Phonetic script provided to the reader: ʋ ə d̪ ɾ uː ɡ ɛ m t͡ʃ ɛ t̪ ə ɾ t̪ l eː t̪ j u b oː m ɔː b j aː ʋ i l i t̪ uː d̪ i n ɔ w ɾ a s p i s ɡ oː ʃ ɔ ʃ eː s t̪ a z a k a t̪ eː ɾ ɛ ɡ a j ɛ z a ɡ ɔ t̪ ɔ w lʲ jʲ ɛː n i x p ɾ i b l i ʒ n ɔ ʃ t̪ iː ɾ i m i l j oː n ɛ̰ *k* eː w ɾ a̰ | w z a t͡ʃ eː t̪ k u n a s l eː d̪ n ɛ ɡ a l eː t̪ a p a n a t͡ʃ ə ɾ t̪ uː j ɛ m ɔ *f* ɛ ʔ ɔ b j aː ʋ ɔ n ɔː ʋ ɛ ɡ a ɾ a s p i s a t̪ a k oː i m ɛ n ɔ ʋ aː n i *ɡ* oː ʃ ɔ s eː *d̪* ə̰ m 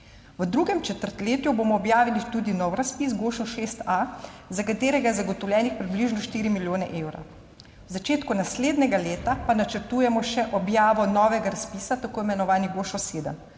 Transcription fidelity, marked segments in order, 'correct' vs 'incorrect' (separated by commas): incorrect, incorrect, correct, correct